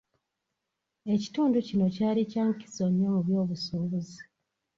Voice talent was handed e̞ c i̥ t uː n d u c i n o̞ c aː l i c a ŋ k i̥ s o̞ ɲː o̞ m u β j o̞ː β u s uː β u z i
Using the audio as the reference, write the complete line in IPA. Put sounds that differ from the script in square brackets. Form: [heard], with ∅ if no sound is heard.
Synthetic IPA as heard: e̞ c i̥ t uː n d u c i n o̞ c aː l i c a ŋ k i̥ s o̞ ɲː o̞ m u β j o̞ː β u s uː β u z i